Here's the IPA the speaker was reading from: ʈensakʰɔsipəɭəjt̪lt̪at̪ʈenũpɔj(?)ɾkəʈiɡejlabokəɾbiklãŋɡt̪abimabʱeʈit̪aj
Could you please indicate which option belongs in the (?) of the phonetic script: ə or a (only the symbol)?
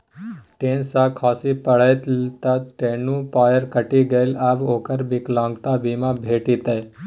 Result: ə